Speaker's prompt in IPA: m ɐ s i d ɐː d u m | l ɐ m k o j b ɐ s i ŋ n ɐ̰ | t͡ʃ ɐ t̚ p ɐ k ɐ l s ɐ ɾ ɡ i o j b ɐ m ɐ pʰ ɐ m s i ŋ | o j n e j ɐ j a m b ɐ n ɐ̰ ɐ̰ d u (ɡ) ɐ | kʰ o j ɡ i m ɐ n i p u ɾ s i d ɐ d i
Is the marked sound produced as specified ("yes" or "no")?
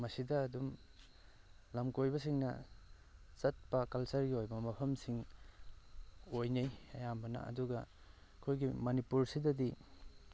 yes